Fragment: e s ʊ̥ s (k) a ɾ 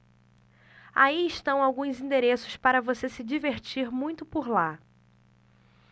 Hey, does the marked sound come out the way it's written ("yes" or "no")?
no